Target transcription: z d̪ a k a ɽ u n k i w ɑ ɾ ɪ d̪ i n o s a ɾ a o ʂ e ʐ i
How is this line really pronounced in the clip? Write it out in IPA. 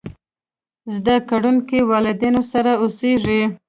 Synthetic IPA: z d̪ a k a ɽ u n k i w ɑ l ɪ d̪ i n o s a ɾ a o s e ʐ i